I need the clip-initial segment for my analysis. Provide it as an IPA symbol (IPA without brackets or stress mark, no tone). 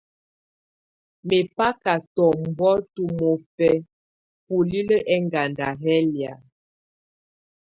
m